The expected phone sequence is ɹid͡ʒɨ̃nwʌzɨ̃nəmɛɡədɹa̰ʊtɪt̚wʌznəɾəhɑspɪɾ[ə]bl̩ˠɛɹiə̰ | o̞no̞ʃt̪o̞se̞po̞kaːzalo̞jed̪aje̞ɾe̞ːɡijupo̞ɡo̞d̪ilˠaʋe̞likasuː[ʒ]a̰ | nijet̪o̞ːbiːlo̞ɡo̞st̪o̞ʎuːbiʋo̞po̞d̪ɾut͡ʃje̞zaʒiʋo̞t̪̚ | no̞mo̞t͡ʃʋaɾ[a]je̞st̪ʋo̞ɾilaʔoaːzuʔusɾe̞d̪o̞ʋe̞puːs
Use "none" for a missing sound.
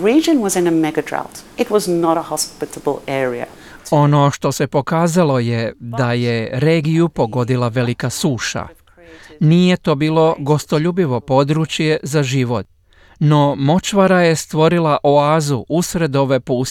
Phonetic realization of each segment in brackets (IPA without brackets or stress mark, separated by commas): ə, ʃ, a